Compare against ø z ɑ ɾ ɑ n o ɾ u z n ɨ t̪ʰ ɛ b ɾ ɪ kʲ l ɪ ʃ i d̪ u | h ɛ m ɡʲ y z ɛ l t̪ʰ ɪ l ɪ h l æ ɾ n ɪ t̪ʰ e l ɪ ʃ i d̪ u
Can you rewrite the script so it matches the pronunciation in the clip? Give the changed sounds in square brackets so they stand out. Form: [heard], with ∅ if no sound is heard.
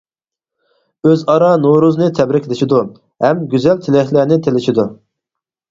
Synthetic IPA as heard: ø z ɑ ɾ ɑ n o ɾ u z n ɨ t̪ʰ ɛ b ɾ ɪ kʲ l ɪ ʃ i d̪ u | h ɛ m ɡʲ y z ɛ l t̪ʰ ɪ l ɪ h l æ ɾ n ɪ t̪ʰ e l ɪ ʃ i d̪ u